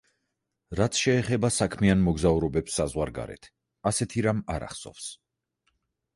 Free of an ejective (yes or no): yes